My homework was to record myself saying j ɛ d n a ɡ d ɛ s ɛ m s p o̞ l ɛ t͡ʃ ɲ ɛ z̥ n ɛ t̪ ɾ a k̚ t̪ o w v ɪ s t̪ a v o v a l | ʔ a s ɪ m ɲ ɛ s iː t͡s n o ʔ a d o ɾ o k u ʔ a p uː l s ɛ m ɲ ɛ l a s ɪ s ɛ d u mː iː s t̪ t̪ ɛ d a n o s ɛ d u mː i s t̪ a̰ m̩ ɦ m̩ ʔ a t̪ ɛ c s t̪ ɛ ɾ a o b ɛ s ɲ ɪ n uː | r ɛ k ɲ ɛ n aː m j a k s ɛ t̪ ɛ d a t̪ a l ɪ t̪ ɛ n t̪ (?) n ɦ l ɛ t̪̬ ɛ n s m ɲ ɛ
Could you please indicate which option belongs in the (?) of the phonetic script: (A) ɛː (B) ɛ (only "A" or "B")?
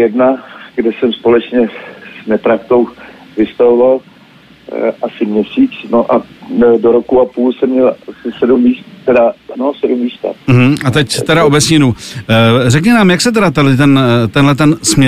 B